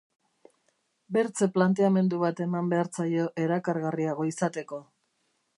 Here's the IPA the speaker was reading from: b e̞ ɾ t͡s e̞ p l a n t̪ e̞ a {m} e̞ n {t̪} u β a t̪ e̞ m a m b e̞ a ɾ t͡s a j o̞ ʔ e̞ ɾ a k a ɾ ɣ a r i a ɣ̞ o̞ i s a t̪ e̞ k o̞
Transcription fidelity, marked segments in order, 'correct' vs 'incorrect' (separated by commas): correct, incorrect